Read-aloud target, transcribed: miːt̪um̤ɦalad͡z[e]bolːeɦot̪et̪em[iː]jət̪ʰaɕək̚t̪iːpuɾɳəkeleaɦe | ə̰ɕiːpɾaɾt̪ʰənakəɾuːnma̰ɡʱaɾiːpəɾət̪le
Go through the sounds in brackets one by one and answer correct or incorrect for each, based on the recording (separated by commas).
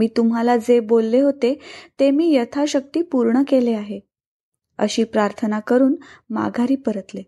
correct, correct